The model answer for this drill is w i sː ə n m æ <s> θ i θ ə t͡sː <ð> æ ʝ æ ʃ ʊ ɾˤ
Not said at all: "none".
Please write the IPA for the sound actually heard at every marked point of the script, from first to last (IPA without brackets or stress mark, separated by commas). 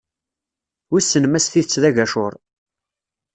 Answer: s, ð